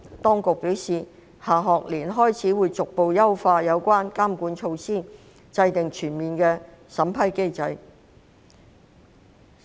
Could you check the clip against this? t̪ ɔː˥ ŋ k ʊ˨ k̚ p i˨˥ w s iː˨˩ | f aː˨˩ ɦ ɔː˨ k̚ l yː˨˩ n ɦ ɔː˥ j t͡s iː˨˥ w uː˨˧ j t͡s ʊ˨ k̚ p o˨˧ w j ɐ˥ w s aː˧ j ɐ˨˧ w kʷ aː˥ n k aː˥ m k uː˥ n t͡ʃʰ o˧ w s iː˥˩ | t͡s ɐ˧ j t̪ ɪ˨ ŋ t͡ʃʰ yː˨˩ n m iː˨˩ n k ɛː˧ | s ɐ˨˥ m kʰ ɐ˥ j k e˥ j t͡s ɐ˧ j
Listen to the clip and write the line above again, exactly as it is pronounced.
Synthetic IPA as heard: t̪ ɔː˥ ŋ k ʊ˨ k̚ p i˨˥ w s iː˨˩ | h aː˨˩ ɦ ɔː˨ k̚ l iː˨˩ n ɦ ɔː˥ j t͡sʰ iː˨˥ w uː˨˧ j t͡s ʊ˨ k̚ p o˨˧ w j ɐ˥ w f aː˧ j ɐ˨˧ w kʷ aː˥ n k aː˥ m k uː˨˥ n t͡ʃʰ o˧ w s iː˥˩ | t͡s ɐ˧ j t̪ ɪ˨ ŋ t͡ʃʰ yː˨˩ n m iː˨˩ n k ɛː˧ | s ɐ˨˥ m pʰ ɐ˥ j k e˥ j t͡s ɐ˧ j